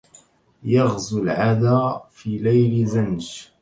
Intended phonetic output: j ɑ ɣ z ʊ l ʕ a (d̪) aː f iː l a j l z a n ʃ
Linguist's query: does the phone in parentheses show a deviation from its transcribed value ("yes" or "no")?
no